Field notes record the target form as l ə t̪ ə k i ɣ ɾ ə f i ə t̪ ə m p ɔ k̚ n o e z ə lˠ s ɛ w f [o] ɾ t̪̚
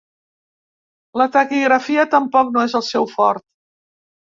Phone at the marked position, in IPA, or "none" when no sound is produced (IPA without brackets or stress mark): ɔ